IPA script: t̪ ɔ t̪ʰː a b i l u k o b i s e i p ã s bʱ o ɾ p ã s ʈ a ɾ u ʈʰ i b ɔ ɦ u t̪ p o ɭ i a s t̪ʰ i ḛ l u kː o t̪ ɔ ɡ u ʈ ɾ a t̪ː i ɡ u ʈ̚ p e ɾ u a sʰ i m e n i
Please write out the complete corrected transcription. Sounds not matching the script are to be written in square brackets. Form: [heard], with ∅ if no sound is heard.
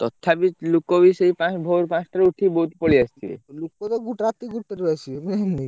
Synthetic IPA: t̪ ɔ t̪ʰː a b i l u k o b i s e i p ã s bʱ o ɾ p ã s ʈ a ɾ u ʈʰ i b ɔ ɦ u t̪ p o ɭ i a s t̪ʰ i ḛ l u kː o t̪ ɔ ɡ u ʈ ɾ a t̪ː i ɡ u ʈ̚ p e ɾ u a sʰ i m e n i

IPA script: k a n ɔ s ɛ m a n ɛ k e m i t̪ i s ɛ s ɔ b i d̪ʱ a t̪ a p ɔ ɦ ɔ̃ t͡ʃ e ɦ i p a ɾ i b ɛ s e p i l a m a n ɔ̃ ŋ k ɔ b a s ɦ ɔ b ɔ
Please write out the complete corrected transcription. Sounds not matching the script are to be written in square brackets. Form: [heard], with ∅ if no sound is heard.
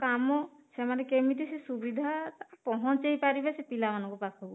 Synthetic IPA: k a [m] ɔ s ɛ m a n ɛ k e m i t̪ i s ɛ s [u] b i d̪ʱ a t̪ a p ɔ ɦ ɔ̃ t͡ʃ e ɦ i p a ɾ i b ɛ s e p i l a m a n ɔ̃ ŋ k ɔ [p] a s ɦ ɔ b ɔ

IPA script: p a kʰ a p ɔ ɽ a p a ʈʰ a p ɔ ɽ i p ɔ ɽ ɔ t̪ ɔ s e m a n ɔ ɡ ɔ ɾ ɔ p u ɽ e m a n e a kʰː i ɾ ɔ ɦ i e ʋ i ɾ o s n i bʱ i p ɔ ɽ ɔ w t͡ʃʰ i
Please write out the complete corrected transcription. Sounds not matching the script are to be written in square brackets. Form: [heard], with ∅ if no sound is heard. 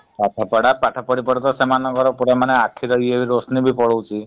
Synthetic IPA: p a [ʈʰ] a p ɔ ɽ a p a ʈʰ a p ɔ ɽ i p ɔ ɽ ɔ t̪ ɔ s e m a n ɔ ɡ ɔ ɾ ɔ p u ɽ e m a n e a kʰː i ɾ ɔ ɦ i e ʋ i ɾ o s n i bʱ i p ɔ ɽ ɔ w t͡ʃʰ i

